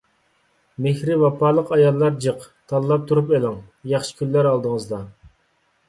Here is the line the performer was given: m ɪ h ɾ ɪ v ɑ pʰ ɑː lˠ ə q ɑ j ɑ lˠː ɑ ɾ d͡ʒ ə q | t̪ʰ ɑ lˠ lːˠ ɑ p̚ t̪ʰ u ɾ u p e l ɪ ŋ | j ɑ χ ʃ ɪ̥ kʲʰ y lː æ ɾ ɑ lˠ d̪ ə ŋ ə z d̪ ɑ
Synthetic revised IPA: m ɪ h ɾ ɪ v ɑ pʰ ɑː lˠ ə q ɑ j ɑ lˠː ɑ ɾ d͡ʒ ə q | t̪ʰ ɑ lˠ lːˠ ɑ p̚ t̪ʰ u ɾ u p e l ɪ ŋ | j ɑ χ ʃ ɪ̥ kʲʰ y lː æ ɾ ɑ lˠ d̪ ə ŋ ə z d̪ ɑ